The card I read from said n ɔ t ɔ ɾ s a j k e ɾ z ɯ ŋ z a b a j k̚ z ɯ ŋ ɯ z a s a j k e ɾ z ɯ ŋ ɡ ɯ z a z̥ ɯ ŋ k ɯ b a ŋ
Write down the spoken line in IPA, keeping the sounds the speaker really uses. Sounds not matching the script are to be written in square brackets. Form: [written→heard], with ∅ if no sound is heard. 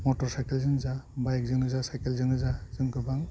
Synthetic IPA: [n→m] ɔ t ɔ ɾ s a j k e [ɾ→l] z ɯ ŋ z a b a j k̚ z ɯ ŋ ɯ z a s a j k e [ɾ→l] z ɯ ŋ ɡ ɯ z a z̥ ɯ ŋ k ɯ b a ŋ